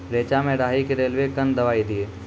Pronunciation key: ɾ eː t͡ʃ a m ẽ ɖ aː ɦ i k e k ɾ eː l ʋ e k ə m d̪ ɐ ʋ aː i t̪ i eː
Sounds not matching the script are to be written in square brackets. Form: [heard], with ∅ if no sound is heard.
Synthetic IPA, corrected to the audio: ɾ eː t͡ʃ a m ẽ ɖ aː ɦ i k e [∅] ɾ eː l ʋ e k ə [n] d̪ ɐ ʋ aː i [d̪] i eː